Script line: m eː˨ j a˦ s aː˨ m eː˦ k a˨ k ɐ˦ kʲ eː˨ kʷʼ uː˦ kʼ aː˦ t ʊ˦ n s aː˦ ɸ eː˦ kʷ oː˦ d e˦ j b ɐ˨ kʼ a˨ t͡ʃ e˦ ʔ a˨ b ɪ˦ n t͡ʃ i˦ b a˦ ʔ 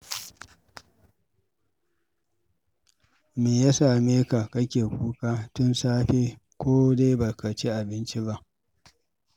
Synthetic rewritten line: m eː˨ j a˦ s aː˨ m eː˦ k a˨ k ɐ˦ kʲ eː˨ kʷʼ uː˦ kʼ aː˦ t ʊ˦ n s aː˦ ɸ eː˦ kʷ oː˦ d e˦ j b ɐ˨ k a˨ t͡ʃ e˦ ʔ a˨ b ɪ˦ n t͡ʃ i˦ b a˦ ʔ